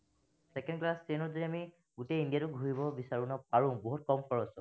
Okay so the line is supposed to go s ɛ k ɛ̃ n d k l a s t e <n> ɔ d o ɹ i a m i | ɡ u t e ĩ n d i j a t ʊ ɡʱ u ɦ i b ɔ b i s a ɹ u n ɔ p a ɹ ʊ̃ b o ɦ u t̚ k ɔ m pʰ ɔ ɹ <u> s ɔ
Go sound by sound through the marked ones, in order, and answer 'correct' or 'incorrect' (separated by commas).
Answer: correct, incorrect